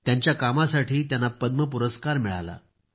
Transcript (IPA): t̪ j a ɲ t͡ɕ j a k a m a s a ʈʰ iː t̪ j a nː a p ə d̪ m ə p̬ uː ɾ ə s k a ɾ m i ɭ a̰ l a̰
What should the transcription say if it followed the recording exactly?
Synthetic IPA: t̪ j a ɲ t͡ɕ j a k a m a s a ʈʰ iː t̪ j a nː a p ə d̪ m ə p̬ u ɾ ə s k a ɾ m i ɭ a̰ l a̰